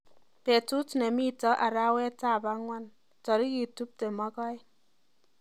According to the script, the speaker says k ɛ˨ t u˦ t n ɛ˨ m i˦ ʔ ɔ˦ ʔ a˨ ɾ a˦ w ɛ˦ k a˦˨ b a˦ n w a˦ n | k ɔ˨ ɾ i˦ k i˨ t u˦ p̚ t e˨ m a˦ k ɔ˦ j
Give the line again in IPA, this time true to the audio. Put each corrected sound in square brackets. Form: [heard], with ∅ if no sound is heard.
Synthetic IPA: [p] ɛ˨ t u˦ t n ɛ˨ m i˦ [t] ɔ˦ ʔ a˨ ɾ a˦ w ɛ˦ [t] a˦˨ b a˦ [ŋ] w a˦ n | [t] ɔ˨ ɾ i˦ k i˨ t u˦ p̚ t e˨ m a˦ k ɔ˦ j